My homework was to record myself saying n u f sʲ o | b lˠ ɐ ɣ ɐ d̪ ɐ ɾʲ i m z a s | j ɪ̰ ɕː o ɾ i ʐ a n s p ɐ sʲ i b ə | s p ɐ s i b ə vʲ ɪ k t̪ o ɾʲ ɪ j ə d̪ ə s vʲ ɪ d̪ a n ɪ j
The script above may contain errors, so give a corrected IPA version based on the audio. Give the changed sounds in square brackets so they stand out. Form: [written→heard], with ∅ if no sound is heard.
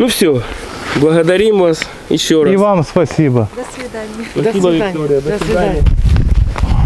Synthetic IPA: n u f sʲ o | b lˠ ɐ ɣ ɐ d̪ ɐ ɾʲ i m [z→v] a s | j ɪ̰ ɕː o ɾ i [ʐ→v] a [n→m] s p ɐ sʲ i b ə | s p ɐ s i b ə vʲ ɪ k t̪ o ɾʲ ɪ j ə d̪ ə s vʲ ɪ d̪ a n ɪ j